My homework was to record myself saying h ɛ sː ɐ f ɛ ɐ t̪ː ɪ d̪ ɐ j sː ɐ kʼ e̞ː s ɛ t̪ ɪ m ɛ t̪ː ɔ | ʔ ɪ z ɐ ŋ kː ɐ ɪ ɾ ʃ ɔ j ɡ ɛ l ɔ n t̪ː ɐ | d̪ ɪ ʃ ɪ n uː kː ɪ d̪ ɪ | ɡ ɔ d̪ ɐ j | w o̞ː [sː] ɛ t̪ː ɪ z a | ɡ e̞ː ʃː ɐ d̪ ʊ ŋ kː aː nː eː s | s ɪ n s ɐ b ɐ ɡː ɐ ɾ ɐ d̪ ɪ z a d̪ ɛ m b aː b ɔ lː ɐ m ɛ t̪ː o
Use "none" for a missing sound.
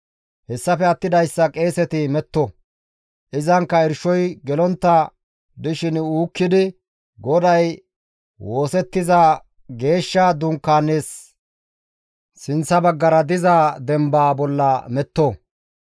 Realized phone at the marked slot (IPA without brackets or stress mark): s